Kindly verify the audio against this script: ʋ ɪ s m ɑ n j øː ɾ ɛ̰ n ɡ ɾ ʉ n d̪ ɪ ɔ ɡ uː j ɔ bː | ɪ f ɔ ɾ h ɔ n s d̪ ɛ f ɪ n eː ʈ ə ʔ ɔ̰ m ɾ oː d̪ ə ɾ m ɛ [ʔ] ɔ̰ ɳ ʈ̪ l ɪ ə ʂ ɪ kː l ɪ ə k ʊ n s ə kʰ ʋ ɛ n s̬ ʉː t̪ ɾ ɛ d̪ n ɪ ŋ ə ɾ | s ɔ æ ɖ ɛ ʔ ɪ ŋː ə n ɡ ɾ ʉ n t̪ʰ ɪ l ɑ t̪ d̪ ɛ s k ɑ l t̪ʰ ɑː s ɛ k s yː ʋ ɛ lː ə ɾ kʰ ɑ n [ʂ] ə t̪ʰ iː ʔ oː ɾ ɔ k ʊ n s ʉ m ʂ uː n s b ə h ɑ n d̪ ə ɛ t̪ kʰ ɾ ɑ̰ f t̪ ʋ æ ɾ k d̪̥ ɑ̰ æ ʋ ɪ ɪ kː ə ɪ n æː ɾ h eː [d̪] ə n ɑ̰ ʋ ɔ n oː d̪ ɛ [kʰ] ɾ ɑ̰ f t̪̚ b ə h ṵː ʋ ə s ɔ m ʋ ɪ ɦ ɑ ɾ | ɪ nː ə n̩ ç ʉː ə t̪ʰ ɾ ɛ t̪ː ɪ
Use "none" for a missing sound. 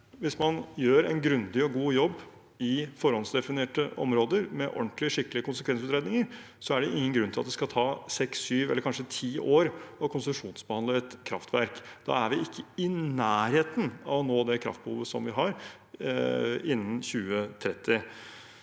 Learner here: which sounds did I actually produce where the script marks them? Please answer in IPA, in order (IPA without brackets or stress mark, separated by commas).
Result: ʔ, ʂ, t̪, kʰ